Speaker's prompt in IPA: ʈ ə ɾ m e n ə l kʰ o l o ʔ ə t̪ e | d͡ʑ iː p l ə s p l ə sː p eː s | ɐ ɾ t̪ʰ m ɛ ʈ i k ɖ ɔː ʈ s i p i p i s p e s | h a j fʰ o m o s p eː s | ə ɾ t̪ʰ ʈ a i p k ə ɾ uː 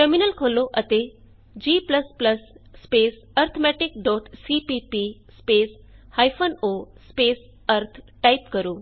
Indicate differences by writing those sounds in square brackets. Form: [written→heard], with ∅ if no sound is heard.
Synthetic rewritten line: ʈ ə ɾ m [e→i] n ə l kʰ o l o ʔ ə t̪ e | d͡ʑ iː p l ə s p l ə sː p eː s | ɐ ɾ t̪ʰ m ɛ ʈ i k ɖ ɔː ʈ s i p i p i s p e s | h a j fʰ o [m→n] o s p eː s | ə ɾ t̪ʰ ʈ a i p k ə ɾ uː